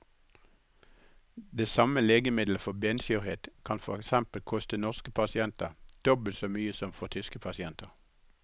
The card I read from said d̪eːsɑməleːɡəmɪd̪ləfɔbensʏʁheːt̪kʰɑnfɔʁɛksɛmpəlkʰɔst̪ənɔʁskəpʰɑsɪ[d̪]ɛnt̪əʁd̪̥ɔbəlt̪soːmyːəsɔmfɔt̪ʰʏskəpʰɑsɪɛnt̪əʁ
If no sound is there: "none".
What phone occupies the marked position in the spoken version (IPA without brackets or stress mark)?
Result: none